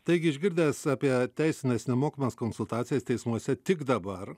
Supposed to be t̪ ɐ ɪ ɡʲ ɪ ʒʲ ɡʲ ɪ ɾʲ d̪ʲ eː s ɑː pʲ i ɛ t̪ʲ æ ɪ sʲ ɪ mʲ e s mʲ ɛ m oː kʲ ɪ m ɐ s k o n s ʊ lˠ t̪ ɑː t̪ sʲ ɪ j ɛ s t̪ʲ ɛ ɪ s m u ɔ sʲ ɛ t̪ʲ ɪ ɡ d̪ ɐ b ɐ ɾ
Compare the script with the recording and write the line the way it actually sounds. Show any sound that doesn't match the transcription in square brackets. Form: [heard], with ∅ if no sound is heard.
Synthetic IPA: t̪ ɐ ɪ ɡʲ ɪ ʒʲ ɡʲ ɪ ɾʲ d̪ʲ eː s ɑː pʲ i ɛ t̪ʲ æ ɪ sʲ ɪ [nʲ] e s [nʲ] ɛ m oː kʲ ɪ m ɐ s k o n s ʊ lˠ t̪ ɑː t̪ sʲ ɪ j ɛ s t̪ʲ ɛ ɪ s m u ɔ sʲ ɛ t̪ʲ ɪ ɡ d̪ ɐ b ɐ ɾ